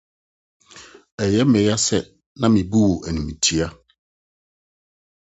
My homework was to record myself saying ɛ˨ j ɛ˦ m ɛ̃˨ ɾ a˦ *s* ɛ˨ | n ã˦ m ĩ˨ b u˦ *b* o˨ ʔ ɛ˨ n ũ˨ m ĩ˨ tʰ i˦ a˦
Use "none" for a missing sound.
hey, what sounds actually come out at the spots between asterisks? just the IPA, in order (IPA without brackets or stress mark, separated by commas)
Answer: s, w